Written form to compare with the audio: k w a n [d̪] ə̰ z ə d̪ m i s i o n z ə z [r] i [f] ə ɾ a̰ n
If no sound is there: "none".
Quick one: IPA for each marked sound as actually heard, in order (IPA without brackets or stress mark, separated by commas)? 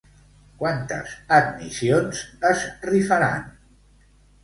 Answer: t̪, r, f